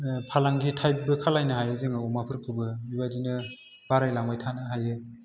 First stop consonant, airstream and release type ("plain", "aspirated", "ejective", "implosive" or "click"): aspirated